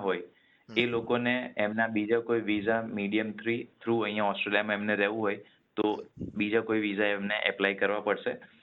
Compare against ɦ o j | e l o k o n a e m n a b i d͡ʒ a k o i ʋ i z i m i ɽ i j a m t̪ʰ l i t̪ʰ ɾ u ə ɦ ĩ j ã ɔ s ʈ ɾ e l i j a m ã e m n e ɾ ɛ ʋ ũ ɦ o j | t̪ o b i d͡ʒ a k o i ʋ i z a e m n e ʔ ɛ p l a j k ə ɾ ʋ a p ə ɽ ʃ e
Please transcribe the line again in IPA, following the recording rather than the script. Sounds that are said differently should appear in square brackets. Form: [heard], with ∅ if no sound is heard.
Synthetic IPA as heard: ɦ o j | e l o k o n [e] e m n a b i d͡ʒ a k o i ʋ i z [a] m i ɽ i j [ə] m t̪ʰ [ɾ] i t̪ʰ ɾ u ə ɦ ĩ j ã ɔ s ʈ ɾ e l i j a m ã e m n e ɾ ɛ ʋ ũ ɦ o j | t̪ o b i d͡ʒ a k o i ʋ i z a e m n e ʔ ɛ p l a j k ə ɾ ʋ a p ə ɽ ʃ e